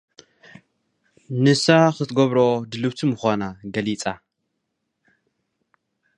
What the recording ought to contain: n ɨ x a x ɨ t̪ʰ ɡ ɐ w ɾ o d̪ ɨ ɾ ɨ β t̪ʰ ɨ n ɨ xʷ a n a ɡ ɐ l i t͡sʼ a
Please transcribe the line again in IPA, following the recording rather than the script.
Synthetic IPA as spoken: n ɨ s a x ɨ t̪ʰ ɡ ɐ β ɾ o d̪ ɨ l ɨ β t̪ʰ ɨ m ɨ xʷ a n a ɡ ɐ l i t͡sʼ a